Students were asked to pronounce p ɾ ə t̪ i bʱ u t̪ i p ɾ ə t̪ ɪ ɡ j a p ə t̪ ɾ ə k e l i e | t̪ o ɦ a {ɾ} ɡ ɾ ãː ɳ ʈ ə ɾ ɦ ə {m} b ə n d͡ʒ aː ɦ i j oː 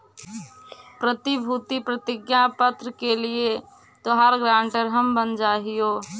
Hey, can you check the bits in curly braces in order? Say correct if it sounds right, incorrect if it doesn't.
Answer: correct, correct

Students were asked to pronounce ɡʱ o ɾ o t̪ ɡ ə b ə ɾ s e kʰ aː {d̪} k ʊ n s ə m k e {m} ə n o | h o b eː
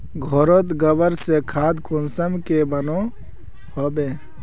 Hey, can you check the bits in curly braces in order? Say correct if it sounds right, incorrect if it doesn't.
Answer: correct, incorrect

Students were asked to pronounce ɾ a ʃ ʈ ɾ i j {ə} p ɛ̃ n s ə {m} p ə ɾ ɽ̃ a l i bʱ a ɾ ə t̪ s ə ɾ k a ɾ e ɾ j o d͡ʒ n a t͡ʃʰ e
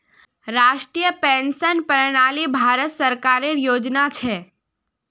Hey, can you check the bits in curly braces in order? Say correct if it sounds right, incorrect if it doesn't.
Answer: correct, incorrect

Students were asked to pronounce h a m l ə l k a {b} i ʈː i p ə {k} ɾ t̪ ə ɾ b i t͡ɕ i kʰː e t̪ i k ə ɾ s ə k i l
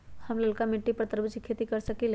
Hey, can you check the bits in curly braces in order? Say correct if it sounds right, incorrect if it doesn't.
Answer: incorrect, incorrect

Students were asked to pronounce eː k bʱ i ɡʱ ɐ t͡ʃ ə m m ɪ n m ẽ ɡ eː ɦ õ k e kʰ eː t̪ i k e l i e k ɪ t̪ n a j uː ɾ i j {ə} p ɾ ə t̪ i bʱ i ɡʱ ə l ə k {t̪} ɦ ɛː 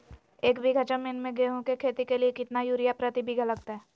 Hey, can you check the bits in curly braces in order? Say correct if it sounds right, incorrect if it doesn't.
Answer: incorrect, correct

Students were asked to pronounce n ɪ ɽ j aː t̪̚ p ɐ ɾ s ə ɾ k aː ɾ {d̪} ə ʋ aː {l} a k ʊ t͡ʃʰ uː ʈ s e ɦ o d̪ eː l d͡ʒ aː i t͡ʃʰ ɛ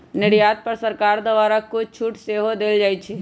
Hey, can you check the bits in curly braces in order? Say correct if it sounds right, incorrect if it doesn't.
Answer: correct, incorrect

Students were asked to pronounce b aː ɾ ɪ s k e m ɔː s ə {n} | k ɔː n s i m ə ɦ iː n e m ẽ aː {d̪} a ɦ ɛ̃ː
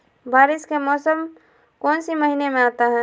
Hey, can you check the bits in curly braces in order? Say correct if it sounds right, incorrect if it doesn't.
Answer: incorrect, incorrect

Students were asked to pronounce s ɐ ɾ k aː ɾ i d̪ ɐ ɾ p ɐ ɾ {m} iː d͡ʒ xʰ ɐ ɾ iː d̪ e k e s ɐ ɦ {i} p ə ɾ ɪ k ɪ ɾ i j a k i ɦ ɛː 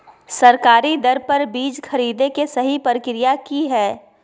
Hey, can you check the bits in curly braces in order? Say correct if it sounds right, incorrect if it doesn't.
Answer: incorrect, correct

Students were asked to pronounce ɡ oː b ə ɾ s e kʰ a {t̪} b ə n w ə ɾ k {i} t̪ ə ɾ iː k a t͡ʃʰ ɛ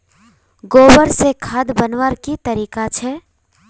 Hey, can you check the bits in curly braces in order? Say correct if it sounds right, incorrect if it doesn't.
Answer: incorrect, correct

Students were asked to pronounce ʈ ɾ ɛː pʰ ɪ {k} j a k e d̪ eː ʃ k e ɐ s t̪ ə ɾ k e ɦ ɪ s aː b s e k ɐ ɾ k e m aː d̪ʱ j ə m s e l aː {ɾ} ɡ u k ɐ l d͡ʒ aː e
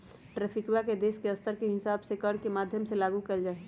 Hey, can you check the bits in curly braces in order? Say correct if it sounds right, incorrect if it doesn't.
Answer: correct, incorrect

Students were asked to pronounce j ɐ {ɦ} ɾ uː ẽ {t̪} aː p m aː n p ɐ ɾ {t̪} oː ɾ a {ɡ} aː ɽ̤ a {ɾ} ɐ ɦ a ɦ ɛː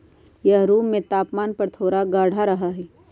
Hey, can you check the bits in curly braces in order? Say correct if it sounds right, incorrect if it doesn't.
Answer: correct, correct, incorrect, correct, correct

